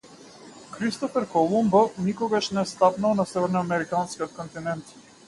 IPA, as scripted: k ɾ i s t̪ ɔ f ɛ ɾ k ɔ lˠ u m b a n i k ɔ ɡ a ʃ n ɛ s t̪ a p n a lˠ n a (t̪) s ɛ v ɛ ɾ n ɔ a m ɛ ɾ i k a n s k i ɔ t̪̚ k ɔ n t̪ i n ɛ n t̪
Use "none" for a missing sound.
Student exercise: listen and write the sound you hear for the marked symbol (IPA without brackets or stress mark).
none